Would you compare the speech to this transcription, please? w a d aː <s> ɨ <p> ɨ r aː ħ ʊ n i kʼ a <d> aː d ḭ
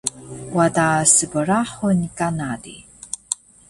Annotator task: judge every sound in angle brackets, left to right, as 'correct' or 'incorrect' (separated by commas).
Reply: correct, incorrect, incorrect